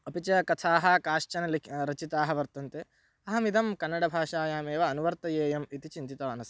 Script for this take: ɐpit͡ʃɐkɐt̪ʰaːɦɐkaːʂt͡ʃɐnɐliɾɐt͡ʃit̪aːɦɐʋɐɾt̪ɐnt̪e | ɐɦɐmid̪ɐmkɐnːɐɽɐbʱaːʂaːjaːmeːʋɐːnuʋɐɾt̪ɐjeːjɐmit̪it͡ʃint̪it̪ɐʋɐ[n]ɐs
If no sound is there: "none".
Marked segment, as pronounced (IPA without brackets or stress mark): n